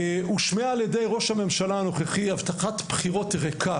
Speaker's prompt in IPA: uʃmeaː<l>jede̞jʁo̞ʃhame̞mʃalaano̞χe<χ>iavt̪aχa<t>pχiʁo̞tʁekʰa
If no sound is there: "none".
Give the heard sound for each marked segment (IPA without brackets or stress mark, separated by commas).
l, χ, t